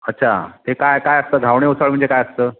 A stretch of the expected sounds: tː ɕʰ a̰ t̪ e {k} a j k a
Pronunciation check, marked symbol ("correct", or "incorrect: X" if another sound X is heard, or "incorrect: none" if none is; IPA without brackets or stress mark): correct